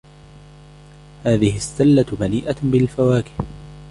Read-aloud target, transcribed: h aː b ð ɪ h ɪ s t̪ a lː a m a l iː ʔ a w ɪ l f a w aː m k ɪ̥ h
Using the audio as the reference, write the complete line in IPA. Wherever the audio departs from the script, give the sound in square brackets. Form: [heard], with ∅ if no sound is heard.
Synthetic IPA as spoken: h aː [∅] ð ɪ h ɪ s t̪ a lː a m a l iː ʔ a [b] ɪ l f a w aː [∅] k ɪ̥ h